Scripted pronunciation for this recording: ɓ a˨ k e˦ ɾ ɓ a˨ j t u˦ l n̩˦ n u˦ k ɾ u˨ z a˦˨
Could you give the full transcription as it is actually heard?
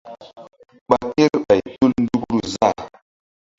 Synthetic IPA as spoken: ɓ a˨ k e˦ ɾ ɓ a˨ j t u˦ l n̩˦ d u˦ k ɾ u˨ z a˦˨